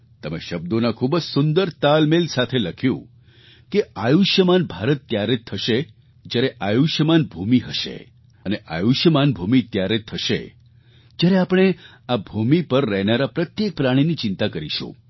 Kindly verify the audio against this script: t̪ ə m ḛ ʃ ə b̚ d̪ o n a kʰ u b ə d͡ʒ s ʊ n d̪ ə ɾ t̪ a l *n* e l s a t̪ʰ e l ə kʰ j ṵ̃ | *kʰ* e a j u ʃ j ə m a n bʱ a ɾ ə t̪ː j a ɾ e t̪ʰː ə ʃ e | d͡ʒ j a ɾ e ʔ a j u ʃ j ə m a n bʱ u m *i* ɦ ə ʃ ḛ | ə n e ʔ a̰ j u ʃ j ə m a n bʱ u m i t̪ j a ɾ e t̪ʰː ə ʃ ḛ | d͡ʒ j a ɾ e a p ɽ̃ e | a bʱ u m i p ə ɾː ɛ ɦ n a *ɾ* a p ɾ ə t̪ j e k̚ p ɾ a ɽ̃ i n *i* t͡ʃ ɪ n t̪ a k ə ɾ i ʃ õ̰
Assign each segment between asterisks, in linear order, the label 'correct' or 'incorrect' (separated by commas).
incorrect, incorrect, correct, correct, correct